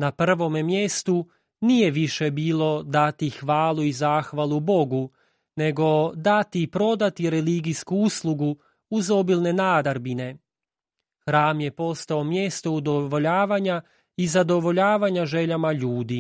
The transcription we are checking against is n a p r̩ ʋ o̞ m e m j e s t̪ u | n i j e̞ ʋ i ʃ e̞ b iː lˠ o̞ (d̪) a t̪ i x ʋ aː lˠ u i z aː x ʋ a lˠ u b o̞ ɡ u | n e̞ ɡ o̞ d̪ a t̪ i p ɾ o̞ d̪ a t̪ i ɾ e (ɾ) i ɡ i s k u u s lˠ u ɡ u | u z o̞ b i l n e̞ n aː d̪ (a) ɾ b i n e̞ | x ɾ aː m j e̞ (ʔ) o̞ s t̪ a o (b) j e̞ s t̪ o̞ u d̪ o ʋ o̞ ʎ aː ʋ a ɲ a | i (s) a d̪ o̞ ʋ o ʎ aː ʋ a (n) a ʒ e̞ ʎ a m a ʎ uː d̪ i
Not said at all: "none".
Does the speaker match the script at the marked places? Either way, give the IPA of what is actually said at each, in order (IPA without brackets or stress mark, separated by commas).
d̪, l, a, p, m, z, ɲ